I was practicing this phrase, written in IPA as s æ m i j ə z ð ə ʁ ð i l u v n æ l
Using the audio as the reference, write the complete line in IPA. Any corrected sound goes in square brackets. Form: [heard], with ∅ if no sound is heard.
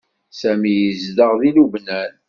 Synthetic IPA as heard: s æ m i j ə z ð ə ʁ ð i l u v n æ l